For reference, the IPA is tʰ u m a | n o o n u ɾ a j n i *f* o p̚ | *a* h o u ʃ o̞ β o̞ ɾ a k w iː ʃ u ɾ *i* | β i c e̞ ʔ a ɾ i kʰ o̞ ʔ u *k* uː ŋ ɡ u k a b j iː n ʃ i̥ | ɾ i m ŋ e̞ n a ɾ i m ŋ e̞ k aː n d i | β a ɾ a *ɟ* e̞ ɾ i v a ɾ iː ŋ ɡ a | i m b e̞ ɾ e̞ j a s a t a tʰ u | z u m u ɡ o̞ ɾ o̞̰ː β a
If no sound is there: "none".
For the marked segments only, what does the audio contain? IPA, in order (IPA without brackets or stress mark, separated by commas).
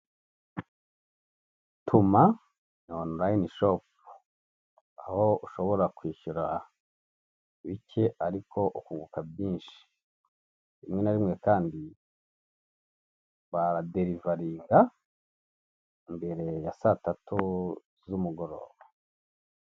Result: ʃ, a, a, k, d